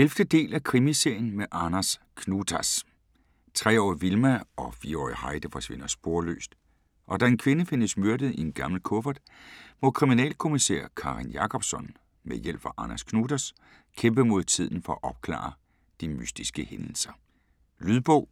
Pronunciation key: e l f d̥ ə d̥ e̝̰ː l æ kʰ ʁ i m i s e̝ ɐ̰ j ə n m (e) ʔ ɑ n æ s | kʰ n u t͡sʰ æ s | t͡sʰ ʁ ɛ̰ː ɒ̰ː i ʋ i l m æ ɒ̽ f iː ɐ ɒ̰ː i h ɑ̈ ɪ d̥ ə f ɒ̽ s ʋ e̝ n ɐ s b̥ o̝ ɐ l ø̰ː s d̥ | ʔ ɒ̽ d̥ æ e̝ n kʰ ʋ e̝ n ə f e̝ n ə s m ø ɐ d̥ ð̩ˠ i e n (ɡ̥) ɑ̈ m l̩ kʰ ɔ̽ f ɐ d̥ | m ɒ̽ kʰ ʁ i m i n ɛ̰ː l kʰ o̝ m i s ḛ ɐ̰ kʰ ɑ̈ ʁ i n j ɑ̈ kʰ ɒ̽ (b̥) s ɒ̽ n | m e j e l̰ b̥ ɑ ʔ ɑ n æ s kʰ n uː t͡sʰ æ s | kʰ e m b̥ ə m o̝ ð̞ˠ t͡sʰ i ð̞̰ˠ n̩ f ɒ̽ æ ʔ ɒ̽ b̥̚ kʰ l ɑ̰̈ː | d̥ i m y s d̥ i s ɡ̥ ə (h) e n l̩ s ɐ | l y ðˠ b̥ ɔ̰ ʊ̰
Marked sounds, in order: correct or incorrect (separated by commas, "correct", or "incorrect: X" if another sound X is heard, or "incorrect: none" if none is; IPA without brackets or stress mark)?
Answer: correct, correct, correct, correct